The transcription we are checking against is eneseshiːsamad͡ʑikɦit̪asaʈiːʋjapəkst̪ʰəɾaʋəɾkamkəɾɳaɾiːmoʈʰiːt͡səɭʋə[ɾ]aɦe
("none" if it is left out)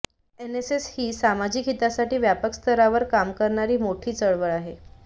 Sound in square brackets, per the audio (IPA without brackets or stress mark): ɭ